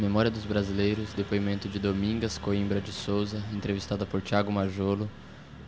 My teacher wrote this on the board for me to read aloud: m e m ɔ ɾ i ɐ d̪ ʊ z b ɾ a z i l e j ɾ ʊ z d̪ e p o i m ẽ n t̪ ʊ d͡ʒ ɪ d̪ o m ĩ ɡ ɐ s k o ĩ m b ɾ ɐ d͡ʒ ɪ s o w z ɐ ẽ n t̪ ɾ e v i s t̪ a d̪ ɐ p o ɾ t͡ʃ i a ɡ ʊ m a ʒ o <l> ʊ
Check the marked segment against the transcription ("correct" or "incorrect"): correct